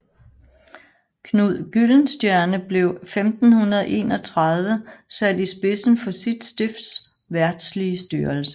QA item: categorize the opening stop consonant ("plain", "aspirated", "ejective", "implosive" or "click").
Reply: aspirated